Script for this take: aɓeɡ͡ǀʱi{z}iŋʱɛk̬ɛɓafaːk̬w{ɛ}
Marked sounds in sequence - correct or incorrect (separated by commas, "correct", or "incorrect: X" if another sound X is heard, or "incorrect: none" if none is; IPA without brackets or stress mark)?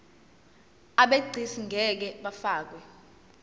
incorrect: s, correct